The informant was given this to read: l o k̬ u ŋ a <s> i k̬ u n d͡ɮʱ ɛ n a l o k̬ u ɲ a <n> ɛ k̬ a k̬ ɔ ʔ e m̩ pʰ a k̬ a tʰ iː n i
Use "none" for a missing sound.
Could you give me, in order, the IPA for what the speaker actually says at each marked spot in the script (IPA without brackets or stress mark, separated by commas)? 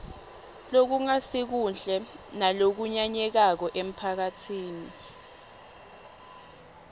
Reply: s, ɲ